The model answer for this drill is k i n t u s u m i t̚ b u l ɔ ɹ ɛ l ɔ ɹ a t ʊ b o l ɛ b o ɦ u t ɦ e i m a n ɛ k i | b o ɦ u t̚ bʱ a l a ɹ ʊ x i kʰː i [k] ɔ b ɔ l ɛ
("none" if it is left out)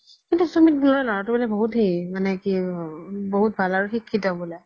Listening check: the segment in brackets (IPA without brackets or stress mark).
t